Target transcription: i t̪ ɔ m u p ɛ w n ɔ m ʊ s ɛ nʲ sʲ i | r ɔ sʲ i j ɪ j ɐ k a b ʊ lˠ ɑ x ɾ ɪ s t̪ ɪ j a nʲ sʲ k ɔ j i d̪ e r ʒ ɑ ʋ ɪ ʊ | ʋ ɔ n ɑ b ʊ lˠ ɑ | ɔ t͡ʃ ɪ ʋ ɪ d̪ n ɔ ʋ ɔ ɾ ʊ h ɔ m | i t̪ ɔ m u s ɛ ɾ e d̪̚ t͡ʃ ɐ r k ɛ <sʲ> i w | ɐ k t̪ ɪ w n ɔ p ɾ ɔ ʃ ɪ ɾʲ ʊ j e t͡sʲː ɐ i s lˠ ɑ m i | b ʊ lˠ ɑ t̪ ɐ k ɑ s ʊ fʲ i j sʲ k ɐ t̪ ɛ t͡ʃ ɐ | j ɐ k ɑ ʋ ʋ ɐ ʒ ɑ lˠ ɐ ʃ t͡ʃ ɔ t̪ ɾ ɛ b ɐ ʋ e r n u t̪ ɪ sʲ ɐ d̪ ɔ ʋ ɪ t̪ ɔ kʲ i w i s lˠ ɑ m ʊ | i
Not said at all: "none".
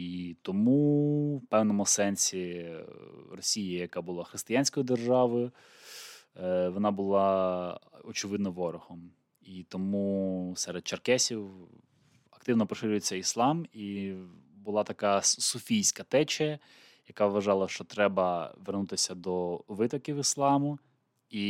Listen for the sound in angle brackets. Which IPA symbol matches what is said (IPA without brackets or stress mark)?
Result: sʲ